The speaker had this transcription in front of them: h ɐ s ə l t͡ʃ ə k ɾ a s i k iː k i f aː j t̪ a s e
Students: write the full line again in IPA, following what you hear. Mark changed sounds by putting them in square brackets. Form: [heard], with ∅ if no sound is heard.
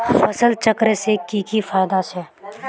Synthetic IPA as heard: [f] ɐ s ə l t͡ʃ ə k ɾ [e] s [e] k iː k i f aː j [d̪] a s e